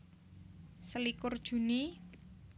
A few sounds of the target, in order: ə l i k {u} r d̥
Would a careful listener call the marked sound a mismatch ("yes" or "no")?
yes